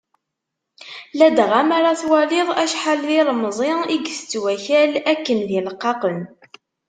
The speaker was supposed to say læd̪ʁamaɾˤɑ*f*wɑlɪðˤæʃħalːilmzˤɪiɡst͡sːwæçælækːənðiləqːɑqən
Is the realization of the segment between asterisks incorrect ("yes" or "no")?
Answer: yes